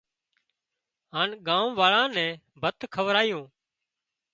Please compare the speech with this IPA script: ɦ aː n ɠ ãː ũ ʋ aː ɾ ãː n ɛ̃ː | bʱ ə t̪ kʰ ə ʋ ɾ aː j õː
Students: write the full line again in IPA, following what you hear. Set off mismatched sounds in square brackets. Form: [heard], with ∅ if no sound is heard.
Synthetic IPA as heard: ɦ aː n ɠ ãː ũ ʋ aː [ɭ] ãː n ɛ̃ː | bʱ ə t̪ kʰ ə ʋ ɾ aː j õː